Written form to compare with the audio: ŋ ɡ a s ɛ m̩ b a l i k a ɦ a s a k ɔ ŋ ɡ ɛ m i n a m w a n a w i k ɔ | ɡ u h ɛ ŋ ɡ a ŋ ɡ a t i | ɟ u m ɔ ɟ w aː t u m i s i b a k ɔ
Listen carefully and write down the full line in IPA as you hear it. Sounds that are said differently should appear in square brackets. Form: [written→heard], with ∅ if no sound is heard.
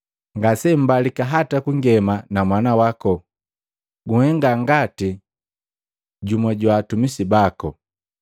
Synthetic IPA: ŋ ɡ a s ɛ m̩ b a l i k a ɦ a [s→t] a k [ɔ→u] ŋ ɡ ɛ m [i→a] n a m w a n a w [i→a] k ɔ | ɡ u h ɛ ŋ ɡ a ŋ ɡ a t i | ɟ u m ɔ ɟ w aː t u m i s i b a k ɔ